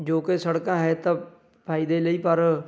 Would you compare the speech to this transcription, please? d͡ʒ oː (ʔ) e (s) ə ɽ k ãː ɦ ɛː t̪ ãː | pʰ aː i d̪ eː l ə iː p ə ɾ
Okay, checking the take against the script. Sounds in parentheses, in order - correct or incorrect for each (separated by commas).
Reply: incorrect, correct